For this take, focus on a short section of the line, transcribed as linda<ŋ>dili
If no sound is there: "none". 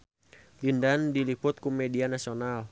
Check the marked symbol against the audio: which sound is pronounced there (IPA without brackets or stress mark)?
n